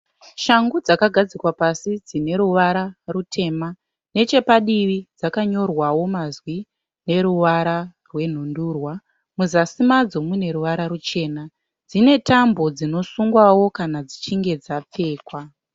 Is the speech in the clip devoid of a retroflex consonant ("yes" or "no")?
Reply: yes